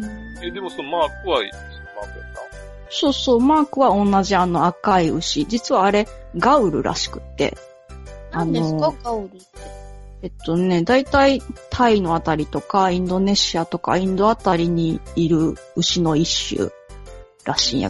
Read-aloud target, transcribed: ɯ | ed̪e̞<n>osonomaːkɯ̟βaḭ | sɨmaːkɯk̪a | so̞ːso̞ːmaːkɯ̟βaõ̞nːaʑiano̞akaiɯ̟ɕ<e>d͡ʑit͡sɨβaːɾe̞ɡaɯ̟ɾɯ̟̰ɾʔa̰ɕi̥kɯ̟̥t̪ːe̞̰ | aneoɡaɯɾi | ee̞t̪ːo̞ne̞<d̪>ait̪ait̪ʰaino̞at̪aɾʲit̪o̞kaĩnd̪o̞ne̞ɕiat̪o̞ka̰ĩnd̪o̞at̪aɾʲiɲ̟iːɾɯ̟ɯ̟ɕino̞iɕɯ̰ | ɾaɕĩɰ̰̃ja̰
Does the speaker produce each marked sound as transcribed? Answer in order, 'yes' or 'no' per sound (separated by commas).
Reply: no, no, yes